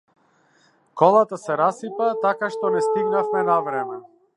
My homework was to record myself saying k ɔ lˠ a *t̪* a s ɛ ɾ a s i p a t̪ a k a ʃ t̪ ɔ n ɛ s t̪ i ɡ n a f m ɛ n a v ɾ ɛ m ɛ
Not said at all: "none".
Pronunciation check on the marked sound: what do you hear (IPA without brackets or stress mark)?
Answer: t̪